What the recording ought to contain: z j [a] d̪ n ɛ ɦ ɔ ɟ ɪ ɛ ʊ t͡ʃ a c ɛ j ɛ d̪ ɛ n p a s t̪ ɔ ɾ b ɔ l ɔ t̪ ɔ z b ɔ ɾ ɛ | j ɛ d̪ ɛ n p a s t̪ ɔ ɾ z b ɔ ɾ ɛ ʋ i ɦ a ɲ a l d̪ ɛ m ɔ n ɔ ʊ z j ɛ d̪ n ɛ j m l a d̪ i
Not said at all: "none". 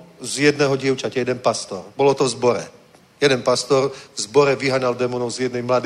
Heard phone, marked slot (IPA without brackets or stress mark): ɛ